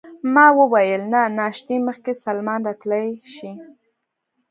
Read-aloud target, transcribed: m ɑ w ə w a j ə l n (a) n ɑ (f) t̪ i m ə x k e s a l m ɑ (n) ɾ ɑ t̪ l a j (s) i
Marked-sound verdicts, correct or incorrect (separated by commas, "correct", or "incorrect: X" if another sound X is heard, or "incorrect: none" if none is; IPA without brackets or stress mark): correct, incorrect: ʃ, correct, incorrect: ʃ